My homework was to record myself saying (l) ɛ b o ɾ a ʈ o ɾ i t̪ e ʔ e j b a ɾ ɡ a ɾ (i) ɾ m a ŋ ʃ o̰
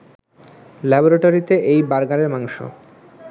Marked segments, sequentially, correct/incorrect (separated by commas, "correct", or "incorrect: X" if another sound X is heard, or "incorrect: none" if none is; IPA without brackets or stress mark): correct, incorrect: e